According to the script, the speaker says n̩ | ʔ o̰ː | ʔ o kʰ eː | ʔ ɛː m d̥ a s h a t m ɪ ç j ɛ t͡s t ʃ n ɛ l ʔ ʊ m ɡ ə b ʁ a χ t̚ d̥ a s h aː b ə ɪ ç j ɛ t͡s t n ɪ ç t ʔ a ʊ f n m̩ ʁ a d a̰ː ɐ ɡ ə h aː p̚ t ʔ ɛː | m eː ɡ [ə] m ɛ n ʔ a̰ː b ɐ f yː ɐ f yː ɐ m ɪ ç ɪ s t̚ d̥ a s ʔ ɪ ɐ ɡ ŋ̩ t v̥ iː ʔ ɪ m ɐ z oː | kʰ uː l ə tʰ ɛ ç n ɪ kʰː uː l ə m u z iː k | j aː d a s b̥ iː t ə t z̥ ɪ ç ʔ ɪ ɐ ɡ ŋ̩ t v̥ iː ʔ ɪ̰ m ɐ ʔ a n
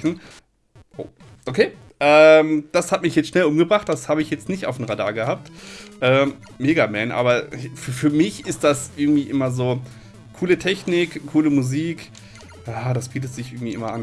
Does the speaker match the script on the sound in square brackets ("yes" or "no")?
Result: no